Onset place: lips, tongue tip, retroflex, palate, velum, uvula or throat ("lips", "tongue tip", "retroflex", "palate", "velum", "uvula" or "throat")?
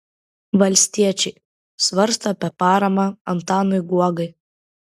lips